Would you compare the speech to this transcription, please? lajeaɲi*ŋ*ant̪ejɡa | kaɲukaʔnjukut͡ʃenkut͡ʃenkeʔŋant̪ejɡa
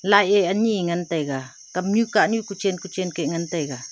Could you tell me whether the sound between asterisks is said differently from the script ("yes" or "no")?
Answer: no